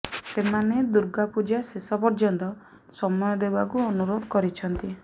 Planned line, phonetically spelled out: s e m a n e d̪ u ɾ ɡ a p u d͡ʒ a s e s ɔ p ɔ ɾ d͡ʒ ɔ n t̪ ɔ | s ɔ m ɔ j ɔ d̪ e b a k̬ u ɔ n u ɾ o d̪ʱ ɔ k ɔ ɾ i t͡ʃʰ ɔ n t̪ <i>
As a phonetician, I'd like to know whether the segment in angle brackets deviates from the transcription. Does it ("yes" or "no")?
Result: no